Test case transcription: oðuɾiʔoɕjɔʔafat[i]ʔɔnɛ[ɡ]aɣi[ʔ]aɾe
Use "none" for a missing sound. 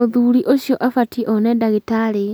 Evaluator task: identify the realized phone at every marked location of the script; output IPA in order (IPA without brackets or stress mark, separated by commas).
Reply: i, d, t